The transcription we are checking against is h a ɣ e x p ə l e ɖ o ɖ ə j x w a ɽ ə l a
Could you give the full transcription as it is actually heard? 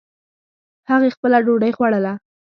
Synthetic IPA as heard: h a ɣ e x p ə l a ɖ o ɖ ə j x w a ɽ ə l a